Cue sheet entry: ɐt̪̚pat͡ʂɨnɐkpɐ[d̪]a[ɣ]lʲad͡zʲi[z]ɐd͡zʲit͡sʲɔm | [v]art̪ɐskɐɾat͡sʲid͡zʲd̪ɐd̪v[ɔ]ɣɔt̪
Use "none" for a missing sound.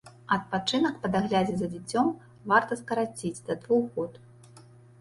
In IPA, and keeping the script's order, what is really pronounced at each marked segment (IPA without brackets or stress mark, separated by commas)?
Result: d̪, ɣ, z, v, u